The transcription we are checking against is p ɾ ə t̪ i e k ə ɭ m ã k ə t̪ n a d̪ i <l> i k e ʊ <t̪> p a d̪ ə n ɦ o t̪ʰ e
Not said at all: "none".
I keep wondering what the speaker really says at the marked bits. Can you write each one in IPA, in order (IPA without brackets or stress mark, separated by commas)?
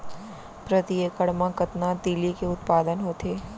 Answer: l, t̪